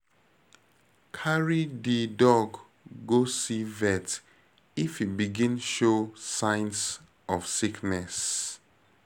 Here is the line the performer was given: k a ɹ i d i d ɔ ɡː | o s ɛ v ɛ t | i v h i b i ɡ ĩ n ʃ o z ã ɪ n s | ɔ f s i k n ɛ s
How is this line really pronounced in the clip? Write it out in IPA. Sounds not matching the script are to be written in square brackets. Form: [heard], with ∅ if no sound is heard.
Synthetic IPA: [kʰ] a ɹ i d i d ɔ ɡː | o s [i] v ɛ t | i [f] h i b i ɡ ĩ n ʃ o [s] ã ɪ n s | ɔ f s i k n ɛ s